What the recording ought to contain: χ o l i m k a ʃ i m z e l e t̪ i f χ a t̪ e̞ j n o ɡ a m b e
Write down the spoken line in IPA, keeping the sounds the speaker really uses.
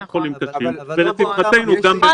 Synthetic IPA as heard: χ o l i m k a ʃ i m v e l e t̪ i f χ a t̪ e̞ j n u ɡ a m b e